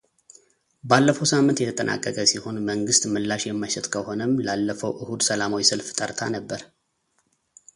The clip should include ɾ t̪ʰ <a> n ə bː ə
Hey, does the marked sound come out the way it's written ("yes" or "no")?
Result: yes